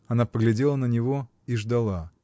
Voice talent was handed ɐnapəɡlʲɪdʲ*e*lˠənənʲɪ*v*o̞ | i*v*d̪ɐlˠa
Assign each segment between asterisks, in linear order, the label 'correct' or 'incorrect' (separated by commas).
correct, correct, incorrect